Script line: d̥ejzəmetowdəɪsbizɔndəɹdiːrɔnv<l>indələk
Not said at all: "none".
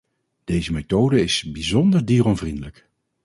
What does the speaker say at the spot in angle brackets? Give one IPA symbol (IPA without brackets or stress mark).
r